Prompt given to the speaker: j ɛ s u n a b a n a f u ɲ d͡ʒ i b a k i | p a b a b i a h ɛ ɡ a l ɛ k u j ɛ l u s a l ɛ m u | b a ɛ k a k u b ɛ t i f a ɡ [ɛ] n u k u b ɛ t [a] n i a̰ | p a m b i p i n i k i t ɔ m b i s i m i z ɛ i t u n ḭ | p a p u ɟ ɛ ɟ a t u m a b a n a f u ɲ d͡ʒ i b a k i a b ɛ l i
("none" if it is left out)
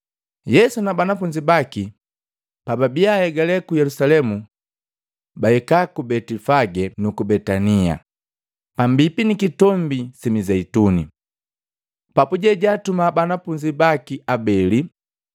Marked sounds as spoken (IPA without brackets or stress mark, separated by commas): ɛ, a